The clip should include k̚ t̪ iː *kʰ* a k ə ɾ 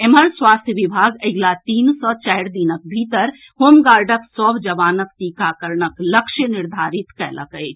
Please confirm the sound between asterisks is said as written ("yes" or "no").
no